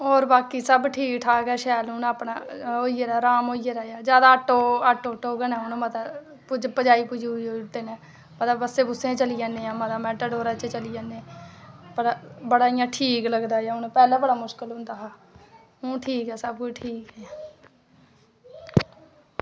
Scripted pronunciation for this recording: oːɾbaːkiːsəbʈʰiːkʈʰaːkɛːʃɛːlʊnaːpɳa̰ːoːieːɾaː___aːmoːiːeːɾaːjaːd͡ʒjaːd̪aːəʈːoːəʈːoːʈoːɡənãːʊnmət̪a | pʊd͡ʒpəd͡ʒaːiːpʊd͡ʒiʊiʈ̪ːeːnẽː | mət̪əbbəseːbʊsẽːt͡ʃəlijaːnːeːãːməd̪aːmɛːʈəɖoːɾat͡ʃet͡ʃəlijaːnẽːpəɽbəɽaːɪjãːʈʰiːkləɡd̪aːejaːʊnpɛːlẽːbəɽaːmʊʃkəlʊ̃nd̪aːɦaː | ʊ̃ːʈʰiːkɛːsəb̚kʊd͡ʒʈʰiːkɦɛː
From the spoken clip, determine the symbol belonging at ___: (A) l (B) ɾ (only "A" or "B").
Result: B